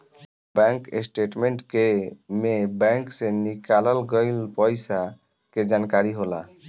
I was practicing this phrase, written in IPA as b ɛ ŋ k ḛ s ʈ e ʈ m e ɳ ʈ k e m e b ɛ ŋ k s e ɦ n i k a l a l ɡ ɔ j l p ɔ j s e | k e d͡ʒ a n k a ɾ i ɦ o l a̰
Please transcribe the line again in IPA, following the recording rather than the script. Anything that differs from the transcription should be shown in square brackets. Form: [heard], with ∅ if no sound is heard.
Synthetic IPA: b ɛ ŋ k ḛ s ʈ e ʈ m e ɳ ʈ k e m e b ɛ ŋ k s e [∅] n i k a l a l ɡ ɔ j l p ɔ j s [a] | k e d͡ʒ a n k a ɾ i ɦ o l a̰